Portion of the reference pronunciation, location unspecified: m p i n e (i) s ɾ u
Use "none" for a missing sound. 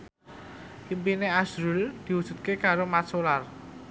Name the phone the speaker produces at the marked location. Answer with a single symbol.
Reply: a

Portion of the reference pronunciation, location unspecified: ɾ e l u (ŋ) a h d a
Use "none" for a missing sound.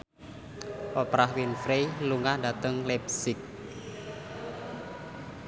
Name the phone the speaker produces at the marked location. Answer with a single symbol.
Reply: ŋ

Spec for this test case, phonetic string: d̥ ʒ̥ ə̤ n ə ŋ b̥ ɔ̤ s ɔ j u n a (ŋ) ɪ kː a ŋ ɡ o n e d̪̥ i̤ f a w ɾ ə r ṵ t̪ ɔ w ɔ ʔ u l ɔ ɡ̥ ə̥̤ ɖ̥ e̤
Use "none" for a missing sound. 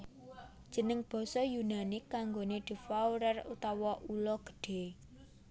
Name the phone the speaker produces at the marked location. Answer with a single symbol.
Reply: n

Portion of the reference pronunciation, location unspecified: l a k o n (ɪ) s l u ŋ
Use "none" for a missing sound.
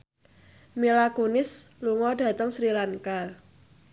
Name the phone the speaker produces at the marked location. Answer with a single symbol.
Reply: ɪ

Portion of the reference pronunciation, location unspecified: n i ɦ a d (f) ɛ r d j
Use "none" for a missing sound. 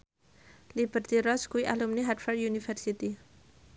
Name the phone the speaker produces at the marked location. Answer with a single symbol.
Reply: f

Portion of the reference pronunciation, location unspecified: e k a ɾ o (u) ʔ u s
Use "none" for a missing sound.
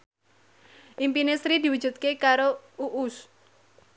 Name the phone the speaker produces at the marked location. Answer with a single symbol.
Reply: u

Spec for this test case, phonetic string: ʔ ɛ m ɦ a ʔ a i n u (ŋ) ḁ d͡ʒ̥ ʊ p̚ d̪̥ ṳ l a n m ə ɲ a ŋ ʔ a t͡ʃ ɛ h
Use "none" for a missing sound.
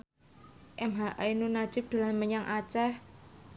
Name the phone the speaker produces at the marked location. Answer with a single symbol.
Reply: n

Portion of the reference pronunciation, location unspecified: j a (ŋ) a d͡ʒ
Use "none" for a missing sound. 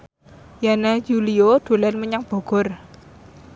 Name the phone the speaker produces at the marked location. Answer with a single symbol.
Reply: n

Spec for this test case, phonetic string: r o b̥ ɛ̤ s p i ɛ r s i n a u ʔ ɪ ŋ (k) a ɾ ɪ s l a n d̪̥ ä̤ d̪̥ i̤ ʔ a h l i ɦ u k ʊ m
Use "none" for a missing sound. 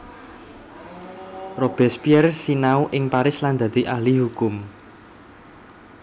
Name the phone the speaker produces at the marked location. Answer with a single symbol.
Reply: p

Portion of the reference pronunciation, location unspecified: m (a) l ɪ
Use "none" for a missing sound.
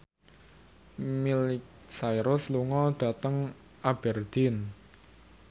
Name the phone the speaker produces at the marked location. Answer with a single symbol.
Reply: i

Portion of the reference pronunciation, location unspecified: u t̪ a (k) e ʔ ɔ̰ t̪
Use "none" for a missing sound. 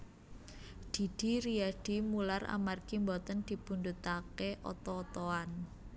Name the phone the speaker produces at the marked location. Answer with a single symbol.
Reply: k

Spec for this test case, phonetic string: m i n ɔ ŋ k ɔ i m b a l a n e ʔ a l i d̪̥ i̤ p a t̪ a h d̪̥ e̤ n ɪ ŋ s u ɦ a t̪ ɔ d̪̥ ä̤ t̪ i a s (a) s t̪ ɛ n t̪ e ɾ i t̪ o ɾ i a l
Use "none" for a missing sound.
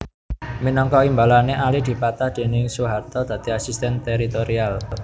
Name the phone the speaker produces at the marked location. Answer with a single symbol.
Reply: i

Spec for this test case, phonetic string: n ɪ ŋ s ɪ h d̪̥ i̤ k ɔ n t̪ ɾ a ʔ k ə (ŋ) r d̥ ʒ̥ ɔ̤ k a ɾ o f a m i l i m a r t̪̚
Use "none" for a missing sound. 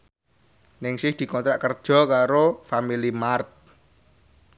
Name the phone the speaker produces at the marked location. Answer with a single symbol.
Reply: none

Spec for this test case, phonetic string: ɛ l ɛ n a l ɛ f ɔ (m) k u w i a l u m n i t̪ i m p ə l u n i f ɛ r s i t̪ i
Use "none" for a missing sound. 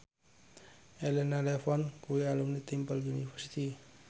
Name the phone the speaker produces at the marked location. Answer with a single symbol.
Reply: n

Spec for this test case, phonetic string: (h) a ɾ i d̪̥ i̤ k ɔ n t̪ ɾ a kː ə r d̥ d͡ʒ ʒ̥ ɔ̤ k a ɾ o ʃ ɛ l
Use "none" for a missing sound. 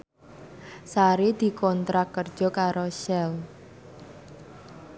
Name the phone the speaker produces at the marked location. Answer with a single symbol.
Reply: s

